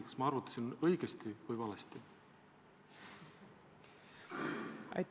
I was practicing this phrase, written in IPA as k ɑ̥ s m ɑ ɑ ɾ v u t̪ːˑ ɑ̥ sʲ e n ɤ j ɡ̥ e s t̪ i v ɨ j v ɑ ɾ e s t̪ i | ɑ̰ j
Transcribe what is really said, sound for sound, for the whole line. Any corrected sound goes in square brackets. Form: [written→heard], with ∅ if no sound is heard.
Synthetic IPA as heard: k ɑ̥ s m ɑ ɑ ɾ v u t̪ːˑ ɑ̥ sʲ [e→i] n ɤ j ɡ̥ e s t̪ i v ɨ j v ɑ [ɾ→l] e s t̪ i | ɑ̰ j